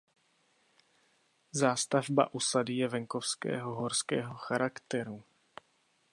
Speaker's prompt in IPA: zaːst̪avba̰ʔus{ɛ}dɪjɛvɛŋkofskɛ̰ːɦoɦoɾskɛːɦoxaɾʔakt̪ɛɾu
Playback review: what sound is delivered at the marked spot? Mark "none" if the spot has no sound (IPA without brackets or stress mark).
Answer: a